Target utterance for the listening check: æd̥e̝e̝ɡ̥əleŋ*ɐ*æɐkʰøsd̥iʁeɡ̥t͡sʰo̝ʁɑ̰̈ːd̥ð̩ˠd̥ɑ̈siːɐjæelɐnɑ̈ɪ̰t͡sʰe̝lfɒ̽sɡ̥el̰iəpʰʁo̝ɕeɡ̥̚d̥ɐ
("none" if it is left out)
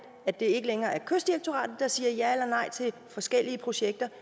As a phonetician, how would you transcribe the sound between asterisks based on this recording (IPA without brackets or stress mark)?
ɐː